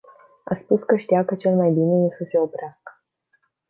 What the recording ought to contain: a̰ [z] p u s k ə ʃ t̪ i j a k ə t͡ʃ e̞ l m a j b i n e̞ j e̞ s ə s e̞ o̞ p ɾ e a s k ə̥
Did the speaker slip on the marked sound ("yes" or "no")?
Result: yes